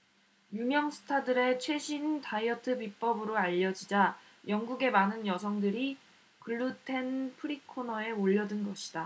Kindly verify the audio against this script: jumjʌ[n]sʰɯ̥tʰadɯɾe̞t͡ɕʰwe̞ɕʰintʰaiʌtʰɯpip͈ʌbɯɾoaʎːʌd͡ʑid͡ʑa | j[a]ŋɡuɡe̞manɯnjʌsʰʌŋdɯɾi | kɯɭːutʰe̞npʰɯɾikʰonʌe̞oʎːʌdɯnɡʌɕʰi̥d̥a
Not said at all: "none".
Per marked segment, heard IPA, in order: ŋ, ʌ

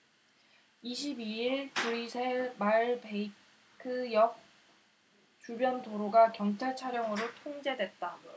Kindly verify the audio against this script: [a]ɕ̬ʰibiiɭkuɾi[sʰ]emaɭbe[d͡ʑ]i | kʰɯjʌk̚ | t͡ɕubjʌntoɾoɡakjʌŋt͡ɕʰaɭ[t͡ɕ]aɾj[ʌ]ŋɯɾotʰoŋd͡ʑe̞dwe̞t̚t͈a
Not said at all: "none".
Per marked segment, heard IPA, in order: i, sʰ, none, t͡ɕʰ, ʌ

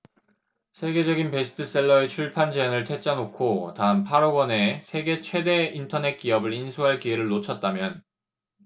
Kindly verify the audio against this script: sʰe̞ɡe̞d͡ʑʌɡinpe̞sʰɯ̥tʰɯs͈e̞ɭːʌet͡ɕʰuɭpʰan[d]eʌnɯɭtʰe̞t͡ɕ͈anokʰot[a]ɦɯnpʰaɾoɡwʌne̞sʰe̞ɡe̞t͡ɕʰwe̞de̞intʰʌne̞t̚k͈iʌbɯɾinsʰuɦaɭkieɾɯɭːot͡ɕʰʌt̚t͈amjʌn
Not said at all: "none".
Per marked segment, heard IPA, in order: d͡ʑ, a

